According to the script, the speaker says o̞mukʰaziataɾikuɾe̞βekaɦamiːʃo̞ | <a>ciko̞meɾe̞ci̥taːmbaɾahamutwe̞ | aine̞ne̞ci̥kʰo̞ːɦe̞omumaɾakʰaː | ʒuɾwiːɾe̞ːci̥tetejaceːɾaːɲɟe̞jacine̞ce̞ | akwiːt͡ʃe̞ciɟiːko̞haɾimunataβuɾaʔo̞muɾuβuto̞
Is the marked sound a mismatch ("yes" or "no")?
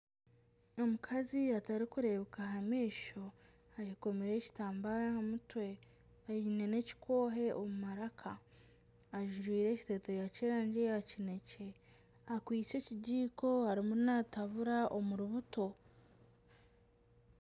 no